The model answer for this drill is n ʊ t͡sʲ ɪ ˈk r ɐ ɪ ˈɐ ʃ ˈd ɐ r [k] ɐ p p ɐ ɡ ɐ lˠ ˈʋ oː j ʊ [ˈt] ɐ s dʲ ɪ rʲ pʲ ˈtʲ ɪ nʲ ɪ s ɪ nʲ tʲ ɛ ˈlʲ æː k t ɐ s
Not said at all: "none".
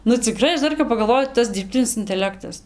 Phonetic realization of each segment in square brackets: k, t

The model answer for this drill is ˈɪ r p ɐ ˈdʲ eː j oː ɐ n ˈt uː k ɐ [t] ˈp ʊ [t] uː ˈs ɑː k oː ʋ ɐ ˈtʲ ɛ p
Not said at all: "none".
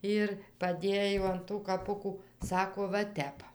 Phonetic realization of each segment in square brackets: none, k

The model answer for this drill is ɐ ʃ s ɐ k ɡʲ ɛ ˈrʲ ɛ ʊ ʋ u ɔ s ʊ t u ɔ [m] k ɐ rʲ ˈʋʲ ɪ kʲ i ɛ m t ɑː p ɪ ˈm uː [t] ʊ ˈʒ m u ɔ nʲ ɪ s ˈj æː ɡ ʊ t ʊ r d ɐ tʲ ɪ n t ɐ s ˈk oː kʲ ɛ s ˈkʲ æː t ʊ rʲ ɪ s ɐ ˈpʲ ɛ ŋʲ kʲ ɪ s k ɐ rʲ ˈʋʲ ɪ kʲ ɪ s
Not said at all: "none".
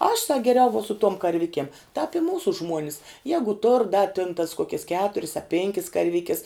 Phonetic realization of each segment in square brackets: m, s

